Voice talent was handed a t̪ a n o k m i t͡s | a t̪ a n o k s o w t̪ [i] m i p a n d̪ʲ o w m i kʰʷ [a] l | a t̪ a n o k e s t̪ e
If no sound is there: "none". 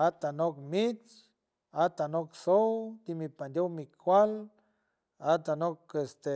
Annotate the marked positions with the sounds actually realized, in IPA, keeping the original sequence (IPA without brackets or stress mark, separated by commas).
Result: i, a